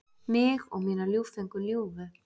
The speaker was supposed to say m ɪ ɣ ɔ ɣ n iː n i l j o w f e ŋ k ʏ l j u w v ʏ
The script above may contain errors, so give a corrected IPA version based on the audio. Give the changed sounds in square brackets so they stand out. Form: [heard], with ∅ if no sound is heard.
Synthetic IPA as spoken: m ɪ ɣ ɔ ɣ [m] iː n [a] l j [u] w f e ŋ k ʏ l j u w v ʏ